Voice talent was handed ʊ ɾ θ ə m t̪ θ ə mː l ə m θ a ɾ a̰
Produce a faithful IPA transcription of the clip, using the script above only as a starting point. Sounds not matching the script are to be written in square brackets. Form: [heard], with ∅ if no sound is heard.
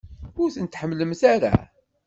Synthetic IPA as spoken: ʊ ɾ θ ə [n] t̪ [ħ] ə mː l ə m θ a ɾ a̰

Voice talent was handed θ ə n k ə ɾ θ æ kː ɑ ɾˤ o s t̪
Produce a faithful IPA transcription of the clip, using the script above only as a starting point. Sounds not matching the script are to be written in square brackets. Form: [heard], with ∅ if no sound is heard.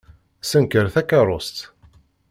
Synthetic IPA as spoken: [s] ə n k ə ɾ θ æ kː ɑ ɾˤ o s t̪

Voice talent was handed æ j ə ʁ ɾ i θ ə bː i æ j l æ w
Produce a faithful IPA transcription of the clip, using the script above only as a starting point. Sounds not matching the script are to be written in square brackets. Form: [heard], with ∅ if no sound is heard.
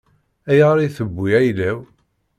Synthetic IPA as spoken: æ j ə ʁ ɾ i θ ə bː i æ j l æ w

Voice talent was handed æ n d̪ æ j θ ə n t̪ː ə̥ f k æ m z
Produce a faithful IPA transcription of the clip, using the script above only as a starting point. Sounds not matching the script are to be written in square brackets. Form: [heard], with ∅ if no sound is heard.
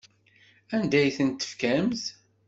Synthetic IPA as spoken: æ n d̪ æ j θ ə n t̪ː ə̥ f k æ m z

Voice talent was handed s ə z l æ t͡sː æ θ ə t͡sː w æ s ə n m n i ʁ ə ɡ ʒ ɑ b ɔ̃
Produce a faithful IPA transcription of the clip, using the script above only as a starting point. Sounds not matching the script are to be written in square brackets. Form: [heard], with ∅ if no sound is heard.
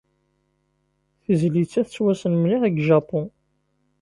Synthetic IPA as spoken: [θ] ə z l [i] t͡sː æ θ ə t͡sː w æ s ə n m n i ʁ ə ɡ ʒ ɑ [p] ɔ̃

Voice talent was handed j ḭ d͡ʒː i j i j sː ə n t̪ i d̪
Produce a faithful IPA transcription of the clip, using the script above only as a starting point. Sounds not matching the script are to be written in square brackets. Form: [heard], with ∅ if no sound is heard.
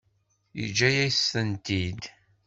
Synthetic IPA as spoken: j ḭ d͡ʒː [æ] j [æ] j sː ə n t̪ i d̪

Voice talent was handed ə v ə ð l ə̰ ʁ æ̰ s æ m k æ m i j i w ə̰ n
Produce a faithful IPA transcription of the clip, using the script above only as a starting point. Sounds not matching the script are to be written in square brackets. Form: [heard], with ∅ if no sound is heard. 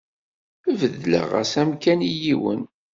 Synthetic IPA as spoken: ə v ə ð l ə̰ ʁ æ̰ s æ m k æ [n] i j i w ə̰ n

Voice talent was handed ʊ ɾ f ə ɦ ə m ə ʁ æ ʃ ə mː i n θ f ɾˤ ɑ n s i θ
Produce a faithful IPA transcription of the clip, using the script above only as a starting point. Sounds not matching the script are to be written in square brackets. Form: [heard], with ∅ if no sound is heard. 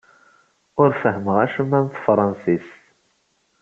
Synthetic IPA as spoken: ʊ ɾ f ə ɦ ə m ə ʁ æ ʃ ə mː [æ] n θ f ɾˤ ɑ n s i [s]

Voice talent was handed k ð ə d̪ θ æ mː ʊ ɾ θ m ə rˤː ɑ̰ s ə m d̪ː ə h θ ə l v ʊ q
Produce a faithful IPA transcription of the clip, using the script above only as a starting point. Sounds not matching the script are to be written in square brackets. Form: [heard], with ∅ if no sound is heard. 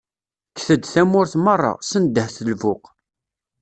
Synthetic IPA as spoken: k [θ] ə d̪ θ æ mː ʊ ɾ θ m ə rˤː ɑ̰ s ə [n] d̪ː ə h θ ə l v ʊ q

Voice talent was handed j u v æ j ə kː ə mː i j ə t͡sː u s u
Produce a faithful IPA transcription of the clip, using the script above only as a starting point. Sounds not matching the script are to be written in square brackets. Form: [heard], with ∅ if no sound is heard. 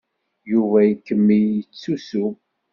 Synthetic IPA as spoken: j u v æ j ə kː ə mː i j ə t͡sː u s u

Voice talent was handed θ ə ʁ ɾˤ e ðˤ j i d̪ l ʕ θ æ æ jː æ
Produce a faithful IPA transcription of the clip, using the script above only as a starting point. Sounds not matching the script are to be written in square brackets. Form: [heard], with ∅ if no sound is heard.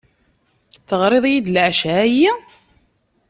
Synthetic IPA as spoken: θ ə ʁ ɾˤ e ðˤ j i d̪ l ʕ [ʃ] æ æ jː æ

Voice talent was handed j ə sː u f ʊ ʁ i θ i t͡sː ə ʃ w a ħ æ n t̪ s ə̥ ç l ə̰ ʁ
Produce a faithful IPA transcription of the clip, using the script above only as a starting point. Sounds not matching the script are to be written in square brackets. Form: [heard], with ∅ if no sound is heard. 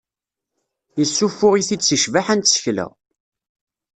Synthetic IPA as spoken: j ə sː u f ʊ ʁ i θ i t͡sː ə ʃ [v] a ħ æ n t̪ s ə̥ ç l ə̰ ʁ

